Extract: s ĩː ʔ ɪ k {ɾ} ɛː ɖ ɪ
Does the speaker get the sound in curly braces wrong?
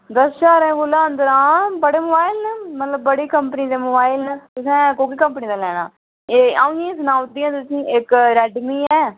no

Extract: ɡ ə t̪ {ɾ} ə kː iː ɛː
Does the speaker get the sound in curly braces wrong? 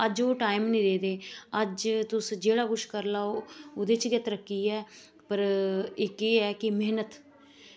no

